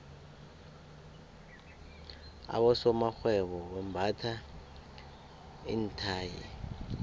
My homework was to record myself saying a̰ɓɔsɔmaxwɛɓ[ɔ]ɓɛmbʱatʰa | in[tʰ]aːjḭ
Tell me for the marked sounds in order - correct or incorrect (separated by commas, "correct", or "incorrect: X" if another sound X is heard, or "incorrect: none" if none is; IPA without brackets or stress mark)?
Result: correct, correct